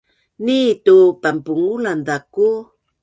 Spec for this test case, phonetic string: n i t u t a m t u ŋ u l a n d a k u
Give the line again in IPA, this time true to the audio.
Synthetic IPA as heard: n i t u p a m p u ŋ u l a n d a k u